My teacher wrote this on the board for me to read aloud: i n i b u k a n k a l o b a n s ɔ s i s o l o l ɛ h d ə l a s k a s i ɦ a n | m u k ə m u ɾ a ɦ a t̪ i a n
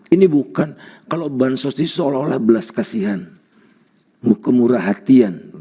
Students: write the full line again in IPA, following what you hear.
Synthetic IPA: i n i b u k a n k a l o b a n s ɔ s i s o l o l a h b ə l a s k a s i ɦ a n | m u k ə m u ɾ a ɦ a t̪ i a n